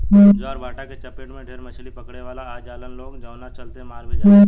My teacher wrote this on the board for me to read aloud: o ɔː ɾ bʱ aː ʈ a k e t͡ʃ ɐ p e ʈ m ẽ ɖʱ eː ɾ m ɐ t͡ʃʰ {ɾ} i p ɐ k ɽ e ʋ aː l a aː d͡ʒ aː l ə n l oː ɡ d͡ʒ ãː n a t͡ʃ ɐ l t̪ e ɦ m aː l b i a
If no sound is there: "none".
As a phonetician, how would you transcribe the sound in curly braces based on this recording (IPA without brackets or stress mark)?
l